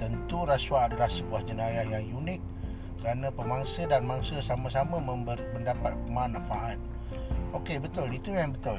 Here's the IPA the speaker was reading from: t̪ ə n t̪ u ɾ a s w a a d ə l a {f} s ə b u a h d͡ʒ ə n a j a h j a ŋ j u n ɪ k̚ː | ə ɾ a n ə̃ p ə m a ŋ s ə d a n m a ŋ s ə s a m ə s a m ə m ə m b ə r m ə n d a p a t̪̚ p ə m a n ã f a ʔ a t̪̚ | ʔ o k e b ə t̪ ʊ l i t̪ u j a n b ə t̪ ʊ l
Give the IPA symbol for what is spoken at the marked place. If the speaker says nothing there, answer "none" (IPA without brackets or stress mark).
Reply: h